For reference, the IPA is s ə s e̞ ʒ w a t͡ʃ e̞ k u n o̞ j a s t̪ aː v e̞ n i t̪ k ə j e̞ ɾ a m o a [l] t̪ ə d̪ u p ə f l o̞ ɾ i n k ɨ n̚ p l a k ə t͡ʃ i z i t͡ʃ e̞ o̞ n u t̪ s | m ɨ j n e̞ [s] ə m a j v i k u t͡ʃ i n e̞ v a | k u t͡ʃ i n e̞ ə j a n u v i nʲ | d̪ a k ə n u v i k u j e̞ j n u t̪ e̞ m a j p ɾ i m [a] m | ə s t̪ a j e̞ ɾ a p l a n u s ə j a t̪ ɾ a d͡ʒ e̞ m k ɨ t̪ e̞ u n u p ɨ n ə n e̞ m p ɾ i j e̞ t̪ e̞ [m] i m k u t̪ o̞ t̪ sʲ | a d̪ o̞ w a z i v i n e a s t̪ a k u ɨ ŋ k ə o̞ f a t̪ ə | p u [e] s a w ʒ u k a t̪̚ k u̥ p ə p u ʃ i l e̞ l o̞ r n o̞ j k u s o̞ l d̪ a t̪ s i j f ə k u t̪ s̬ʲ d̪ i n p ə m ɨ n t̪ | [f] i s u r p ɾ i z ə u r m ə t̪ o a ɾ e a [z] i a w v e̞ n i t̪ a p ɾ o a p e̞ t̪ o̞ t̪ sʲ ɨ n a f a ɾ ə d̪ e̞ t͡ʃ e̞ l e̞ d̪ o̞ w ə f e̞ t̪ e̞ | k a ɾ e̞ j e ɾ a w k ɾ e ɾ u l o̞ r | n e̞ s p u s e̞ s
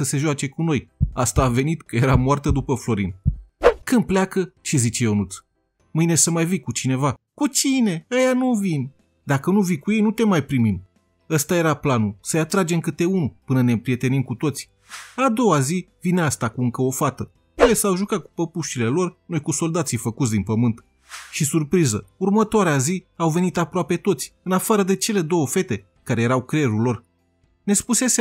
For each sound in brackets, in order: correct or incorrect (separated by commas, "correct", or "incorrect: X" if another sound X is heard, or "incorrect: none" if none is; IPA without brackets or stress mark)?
incorrect: r, correct, incorrect: i, incorrect: n, correct, incorrect: ʃ, correct